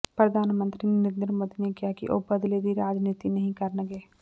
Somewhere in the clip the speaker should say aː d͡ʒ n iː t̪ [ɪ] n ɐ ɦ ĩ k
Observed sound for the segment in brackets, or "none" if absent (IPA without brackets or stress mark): i